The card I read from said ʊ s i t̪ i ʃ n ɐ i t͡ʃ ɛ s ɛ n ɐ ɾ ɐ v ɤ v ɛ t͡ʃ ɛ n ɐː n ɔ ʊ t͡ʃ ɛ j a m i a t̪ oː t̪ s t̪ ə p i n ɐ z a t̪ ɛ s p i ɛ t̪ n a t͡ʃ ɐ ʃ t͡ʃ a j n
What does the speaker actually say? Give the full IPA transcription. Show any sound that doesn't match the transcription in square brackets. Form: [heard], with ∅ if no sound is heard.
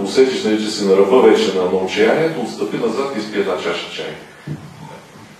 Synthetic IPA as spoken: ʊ s [ɛ] t̪ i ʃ n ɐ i t͡ʃ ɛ s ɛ n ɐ ɾ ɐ v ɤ v ɛ t͡ʃ ɛ n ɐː n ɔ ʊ t͡ʃ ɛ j a [n] i [ɛ] t̪ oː t̪ s t̪ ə p i n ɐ z a t̪ [i] s p i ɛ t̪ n a t͡ʃ [a] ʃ t͡ʃ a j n